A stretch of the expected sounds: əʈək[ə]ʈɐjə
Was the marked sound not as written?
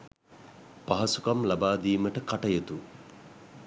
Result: yes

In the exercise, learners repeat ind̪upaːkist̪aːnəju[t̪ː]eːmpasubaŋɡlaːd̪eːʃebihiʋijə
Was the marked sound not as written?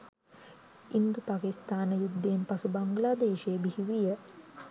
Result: yes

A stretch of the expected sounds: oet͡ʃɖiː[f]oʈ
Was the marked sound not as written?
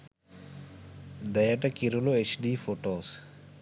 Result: no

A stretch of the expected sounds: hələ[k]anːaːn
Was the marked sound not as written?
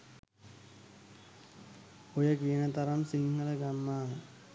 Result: yes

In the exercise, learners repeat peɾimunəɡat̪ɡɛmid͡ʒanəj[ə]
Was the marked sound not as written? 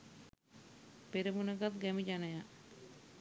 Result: yes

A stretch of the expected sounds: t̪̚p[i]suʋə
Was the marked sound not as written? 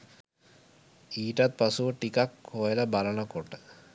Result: yes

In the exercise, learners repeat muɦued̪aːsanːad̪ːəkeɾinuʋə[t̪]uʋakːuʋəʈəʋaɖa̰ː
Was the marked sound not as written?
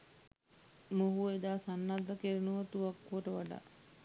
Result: no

